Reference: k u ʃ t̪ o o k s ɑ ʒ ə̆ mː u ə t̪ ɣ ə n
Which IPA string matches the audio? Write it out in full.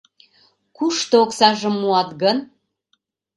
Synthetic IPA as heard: k u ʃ t̪ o o k s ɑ ʒ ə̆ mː u ɑ t̪ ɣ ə n